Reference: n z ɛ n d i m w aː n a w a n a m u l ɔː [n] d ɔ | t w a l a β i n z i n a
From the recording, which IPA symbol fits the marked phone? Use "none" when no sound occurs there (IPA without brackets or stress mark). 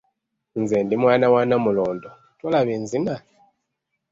n